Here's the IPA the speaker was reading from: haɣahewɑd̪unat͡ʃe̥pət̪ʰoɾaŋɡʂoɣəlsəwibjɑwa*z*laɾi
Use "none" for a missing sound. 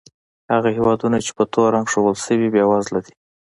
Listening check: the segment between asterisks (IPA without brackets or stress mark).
z